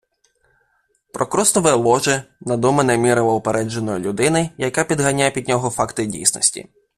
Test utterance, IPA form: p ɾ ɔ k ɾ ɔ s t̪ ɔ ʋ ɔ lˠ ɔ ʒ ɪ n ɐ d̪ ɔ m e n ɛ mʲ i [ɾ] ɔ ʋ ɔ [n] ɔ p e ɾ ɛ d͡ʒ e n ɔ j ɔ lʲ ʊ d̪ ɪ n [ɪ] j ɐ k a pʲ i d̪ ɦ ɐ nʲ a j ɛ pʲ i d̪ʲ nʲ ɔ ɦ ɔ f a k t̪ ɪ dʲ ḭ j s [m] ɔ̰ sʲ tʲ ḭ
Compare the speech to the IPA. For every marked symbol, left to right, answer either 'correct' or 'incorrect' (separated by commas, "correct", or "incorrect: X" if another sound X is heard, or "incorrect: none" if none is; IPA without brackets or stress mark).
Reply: correct, incorrect: none, correct, incorrect: n